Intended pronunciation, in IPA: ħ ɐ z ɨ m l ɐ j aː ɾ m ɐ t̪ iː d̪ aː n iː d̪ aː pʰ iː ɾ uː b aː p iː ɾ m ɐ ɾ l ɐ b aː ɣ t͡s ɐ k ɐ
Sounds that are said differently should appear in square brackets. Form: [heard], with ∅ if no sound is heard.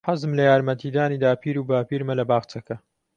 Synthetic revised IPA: ħ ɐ z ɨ m l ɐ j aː ɾ m ɐ t̪ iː d̪ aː n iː d̪ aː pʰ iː ɾ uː b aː p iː ɾ m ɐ [∅] l ɐ b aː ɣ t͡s ɐ k ɐ